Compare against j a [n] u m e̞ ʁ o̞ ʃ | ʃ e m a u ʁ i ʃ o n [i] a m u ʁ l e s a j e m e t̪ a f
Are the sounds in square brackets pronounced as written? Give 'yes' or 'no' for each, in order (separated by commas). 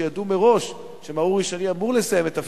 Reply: no, yes